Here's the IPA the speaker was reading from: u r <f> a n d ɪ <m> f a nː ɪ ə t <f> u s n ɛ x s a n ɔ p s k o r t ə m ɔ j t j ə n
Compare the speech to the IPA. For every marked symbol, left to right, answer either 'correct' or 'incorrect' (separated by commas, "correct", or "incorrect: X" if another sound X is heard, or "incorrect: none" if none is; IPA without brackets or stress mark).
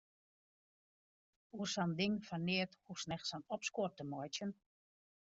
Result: incorrect: s, incorrect: ŋ, incorrect: h